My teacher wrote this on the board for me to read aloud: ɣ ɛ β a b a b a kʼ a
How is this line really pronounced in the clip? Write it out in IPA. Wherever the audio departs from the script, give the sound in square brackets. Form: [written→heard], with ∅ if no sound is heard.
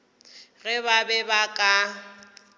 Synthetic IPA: ɣ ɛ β a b [a→ɛ] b a kʼ a